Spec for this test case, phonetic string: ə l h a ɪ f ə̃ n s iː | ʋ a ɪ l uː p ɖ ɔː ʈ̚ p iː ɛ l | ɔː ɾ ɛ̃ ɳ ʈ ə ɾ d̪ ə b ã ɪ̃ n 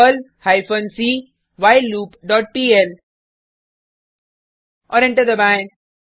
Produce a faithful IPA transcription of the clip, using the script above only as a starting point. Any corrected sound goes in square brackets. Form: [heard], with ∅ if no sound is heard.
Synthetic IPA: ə l h a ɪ f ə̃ n s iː | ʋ a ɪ l uː p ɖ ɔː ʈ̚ p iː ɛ l | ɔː ɾ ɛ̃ ɳ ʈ ə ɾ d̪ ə b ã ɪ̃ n